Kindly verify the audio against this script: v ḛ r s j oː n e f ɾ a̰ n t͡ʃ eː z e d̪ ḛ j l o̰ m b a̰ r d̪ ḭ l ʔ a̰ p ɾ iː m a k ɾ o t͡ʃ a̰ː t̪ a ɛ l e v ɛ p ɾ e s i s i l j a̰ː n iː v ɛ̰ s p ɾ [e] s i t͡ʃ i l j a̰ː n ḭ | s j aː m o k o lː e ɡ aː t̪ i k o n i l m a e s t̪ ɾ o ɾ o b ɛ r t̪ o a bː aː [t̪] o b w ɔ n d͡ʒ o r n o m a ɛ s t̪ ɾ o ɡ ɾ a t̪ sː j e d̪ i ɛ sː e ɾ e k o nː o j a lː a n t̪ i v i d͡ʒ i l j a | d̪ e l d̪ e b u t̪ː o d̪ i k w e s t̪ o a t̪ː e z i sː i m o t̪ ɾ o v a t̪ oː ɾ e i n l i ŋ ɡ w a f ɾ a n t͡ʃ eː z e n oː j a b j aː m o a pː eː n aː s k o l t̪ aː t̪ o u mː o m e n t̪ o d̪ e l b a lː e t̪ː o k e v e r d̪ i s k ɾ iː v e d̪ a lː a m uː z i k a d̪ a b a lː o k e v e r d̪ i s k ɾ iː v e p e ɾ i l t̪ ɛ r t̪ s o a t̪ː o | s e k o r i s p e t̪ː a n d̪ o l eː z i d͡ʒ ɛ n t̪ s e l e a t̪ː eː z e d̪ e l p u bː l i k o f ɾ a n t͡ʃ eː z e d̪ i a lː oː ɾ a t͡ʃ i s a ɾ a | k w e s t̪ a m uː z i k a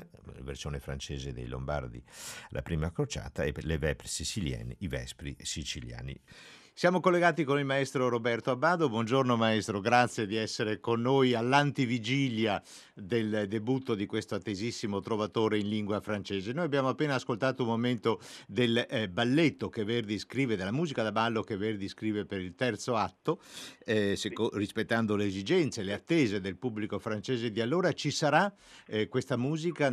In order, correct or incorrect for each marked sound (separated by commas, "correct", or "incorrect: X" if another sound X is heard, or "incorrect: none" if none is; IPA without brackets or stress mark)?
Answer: incorrect: i, incorrect: d̪